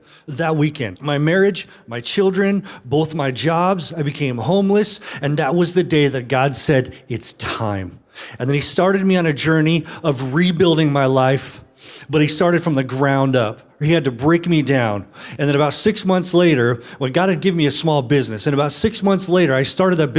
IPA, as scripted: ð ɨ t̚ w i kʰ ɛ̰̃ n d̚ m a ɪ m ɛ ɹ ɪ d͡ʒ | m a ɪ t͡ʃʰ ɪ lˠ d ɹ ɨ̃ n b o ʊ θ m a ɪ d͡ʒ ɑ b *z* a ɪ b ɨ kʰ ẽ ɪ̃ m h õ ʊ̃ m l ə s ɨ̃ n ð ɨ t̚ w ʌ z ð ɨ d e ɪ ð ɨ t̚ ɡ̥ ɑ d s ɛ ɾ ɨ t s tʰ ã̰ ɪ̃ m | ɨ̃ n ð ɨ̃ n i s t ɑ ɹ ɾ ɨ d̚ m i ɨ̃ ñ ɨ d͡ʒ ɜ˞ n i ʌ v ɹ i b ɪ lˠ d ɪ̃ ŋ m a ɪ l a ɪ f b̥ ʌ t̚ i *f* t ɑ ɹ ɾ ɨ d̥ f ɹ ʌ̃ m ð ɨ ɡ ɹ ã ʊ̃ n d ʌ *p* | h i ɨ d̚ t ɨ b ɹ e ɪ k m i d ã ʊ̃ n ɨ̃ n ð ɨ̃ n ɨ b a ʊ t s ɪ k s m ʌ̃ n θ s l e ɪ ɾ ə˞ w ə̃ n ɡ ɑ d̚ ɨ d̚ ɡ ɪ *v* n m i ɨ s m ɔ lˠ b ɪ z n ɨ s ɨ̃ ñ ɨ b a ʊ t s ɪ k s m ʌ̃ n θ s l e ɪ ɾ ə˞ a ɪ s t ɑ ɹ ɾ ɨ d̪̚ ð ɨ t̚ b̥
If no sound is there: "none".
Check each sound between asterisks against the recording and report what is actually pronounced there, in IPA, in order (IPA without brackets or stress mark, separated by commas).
z, s, p, v